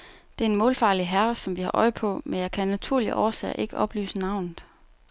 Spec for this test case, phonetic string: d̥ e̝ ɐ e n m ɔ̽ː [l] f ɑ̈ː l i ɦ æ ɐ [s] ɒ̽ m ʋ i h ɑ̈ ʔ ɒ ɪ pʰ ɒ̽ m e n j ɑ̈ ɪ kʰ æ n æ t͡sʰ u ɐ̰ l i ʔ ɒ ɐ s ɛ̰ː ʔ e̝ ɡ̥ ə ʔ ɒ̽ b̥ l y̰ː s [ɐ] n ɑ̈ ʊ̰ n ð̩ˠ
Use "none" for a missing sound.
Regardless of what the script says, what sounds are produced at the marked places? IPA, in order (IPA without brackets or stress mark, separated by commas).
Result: l, s, ə